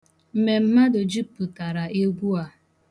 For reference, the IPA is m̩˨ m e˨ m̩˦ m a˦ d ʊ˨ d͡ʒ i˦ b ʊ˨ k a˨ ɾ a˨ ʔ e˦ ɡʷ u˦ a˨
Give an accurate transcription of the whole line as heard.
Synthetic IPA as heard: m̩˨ m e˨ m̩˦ m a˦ d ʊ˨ d͡ʒ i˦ p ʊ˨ t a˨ ɾ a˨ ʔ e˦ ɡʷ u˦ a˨